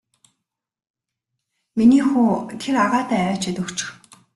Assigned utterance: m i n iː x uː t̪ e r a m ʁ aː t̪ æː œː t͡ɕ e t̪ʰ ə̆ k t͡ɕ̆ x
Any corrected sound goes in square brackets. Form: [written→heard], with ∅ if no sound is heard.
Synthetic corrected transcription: m i n iː x uː [t̪→t̪ʰ] e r a [m→∅] ʁ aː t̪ æː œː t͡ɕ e [t̪ʰ→t̪] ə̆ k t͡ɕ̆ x

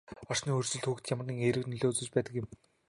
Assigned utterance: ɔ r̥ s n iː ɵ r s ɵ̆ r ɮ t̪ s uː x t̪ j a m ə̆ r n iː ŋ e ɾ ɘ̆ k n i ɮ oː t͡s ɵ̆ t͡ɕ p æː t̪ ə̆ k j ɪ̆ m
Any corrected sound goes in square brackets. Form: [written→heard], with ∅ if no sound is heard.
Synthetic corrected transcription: ɔ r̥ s n iː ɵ r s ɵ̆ [r→∅] ɮ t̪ [s→x] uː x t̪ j a m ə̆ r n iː ŋ e ɾ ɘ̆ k n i ɮ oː t͡s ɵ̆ t͡ɕ p æː t̪ ə̆ k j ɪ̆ m

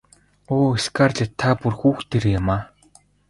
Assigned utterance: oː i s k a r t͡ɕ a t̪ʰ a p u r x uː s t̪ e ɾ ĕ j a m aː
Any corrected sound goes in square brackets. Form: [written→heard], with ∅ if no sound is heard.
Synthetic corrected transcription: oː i s k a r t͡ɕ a t̪ʰ a p u r x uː [s→x] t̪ e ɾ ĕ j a m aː

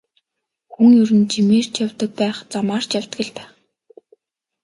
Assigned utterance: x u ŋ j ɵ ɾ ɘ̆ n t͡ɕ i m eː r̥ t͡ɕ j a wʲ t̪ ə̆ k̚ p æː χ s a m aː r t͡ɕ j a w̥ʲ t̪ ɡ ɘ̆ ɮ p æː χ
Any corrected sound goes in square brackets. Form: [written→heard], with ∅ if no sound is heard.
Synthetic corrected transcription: x u ŋ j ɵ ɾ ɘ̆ n t͡ɕ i m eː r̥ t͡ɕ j a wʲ t̪ ə̆ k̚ p æː χ [s→t͡s] a m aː r t͡ɕ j a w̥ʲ t̪ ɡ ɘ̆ ɮ p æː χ

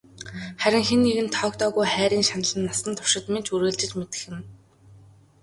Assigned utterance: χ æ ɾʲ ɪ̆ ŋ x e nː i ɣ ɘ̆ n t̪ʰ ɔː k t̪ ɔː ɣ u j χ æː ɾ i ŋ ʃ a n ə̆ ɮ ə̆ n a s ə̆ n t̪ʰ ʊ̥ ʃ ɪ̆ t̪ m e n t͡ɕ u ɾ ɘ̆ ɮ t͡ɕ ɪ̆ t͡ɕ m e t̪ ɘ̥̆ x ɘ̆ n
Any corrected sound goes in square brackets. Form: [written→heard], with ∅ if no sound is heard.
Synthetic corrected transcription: χ æ ɾʲ ɪ̆ ŋ x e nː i ɣ ɘ̆ n t̪ʰ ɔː k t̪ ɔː ɣ u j χ æː ɾ [i→iː] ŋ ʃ a n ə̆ ɮ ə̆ [n→nː] a s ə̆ n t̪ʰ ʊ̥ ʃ ɪ̆ t̪ m e n t͡ɕ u ɾ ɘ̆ ɮ t͡ɕ ɪ̆ t͡ɕ m e t̪ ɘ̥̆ x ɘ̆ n

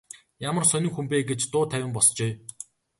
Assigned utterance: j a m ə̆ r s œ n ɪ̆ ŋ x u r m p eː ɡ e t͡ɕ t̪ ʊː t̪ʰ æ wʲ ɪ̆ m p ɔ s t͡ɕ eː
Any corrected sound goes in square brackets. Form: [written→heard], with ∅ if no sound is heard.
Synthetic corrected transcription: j a m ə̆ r s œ n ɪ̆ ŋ x u [r→∅] m p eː ɡ e t͡ɕ t̪ ʊː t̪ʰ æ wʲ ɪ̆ m p ɔ s t͡ɕ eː

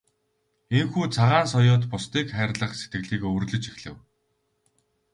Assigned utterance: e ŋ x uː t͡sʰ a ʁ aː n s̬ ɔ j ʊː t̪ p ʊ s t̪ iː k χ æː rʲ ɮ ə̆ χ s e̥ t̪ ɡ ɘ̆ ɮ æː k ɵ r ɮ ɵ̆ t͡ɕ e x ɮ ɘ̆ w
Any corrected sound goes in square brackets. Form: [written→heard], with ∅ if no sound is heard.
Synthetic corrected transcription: e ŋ x uː t͡sʰ a ʁ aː n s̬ ɔ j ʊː t̪ p ʊ s t̪ iː k χ æː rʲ ɮ ə̆ χ s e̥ t̪ ɡ ɘ̆ ɮ [æː→iː] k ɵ r ɮ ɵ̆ t͡ɕ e x ɮ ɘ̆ w

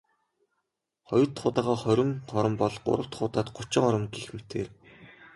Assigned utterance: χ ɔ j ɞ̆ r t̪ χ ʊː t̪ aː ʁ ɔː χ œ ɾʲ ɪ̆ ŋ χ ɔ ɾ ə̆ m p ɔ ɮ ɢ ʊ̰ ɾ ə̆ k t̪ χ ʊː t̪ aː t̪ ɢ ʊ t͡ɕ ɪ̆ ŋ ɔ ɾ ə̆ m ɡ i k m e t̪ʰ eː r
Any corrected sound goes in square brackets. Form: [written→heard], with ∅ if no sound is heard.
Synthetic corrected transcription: χ ɔ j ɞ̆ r t̪ χ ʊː t̪ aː ʁ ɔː χ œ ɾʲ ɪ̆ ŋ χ ɔ ɾ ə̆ m p ɔ ɮ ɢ ʊ̰ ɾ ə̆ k t̪ χ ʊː t̪ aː t̪ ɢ ʊ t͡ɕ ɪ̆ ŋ ɔ ɾ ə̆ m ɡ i [k→x] m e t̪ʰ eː r

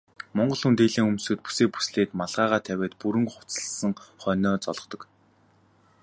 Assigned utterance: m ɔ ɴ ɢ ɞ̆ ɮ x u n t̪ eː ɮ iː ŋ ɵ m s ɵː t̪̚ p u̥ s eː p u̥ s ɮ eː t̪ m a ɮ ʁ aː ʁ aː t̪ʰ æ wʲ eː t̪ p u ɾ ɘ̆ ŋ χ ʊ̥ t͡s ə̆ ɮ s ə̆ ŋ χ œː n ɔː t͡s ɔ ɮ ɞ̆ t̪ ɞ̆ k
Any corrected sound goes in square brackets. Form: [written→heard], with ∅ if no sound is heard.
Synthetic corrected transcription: m ɔ ɴ ɢ ɞ̆ ɮ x u n t̪ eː ɮ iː ŋ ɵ m s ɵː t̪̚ p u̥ s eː p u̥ s ɮ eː t̪ m a ɮ ʁ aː ʁ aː t̪ʰ æ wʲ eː t̪ p u ɾ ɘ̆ ŋ χ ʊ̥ t͡s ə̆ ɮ s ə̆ ŋ χ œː n ɔː t͡s ɔ ɮ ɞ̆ t̪ ɞ̆ k

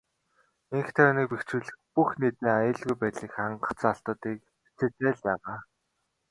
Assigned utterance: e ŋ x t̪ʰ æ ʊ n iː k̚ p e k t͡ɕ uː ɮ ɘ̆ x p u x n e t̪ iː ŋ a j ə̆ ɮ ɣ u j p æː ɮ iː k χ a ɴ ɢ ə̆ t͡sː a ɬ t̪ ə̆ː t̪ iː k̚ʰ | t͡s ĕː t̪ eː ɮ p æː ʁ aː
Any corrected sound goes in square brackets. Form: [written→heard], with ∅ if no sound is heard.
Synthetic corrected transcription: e ŋ x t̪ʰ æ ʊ n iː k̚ p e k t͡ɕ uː ɮ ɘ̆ x p u x n e t̪ iː ŋ a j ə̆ ɮ ɣ u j p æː ɮ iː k χ a ɴ ɢ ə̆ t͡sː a ɬ t̪ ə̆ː t̪ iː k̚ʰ | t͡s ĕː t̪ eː ɮ p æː ʁ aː

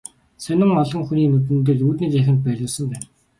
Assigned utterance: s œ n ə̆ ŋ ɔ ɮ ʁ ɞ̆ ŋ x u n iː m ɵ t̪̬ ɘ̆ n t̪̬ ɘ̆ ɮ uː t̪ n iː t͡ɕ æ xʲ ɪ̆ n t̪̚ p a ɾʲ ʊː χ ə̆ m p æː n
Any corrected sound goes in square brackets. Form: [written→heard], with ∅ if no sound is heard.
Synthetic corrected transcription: s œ n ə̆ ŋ ɔ ɮ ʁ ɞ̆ ŋ x u n iː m ɵ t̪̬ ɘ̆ n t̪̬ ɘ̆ ɮ uː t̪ n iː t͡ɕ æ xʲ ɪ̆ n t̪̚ p [a→æ] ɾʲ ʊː [χ→s] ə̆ m p æː n

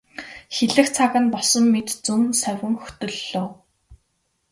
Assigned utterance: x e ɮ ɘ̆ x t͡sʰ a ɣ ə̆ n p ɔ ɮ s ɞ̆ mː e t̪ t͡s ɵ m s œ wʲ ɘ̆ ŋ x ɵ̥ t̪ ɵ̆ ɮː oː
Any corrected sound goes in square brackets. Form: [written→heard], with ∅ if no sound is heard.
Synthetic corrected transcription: x e ɮ ɘ̆ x t͡sʰ a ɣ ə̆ n p ɔ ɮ s ɞ̆ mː e t̪ t͡s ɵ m s œ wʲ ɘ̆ ŋ x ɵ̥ t̪ ɵ̆ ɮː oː

